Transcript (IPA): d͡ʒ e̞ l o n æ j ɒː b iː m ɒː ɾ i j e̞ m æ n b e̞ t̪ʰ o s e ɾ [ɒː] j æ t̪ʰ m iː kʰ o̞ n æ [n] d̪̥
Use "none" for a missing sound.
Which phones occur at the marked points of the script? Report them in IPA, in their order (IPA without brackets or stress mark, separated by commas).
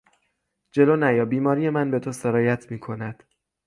ɒː, none